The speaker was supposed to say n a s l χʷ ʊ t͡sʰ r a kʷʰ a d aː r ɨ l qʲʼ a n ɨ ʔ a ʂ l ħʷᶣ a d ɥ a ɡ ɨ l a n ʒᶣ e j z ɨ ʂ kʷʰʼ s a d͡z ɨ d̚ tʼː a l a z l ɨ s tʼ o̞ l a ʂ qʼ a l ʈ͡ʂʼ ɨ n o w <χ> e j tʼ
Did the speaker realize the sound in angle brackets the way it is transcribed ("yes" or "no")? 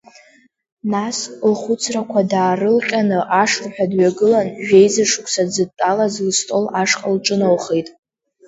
yes